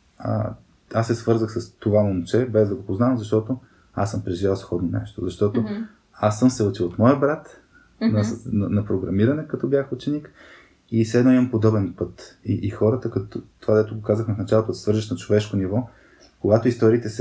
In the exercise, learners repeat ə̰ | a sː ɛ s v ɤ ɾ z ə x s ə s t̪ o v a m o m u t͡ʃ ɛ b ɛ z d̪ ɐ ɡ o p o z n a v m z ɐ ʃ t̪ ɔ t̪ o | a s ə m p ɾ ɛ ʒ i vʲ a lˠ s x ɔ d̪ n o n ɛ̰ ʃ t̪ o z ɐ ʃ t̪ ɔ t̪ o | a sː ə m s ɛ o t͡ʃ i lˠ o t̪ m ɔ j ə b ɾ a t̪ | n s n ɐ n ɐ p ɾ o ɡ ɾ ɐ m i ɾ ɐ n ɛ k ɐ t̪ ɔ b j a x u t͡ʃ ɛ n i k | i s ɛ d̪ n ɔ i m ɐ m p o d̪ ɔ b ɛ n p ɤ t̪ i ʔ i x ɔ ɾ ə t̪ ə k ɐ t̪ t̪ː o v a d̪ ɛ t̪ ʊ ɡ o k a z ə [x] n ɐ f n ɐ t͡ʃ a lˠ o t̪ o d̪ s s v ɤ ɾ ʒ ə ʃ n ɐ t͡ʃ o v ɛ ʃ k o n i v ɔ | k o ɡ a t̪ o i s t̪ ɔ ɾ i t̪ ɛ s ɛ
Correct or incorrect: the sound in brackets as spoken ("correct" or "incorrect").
correct